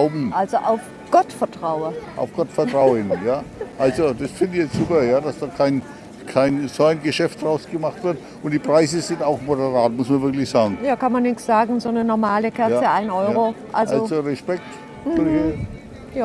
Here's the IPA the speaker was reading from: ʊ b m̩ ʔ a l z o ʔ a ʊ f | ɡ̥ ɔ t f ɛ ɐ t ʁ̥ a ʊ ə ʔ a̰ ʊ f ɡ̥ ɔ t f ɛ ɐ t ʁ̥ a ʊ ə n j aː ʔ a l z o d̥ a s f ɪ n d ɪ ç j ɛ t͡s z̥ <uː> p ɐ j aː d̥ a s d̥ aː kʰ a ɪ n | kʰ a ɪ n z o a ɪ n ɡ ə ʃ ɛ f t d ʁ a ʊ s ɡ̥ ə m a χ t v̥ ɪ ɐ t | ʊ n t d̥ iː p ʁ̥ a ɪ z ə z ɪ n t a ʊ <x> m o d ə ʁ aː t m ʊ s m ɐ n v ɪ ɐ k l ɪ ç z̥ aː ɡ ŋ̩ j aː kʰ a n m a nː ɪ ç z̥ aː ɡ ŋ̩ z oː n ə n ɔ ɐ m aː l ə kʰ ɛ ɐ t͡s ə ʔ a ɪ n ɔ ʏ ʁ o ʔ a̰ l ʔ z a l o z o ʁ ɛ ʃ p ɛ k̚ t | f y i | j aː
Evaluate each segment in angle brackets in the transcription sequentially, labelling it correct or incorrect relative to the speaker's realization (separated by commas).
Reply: correct, correct